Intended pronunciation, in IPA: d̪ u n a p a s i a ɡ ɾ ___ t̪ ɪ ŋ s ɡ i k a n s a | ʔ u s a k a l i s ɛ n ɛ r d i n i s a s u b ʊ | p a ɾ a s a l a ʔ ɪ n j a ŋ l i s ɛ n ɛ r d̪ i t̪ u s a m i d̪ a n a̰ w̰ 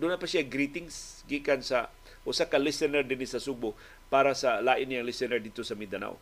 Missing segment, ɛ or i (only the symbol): i